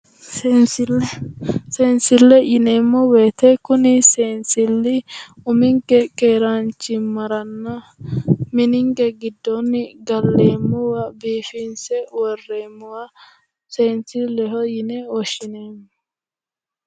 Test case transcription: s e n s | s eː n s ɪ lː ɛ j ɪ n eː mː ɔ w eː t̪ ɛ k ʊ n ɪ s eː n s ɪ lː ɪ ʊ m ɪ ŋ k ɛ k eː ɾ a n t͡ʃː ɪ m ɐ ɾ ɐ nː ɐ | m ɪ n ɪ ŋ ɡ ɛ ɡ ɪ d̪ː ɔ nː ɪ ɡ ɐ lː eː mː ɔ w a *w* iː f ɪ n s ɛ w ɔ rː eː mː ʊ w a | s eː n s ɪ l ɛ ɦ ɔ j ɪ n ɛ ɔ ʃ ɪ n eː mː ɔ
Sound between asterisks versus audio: incorrect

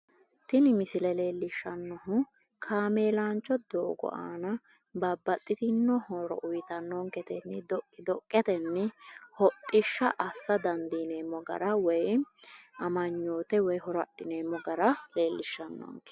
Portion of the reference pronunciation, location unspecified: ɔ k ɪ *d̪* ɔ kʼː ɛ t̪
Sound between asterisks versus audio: correct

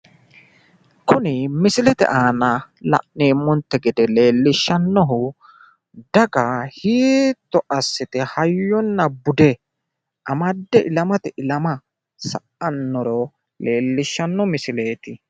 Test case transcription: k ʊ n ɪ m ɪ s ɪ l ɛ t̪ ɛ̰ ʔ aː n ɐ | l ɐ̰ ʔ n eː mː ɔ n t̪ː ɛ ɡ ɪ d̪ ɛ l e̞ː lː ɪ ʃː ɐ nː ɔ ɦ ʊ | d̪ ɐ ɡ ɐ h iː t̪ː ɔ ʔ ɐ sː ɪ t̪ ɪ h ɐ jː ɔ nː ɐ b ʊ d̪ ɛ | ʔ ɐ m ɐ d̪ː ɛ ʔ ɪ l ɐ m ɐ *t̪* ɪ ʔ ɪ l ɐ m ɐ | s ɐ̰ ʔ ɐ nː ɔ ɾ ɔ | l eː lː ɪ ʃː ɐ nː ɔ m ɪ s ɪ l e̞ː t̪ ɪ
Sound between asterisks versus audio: correct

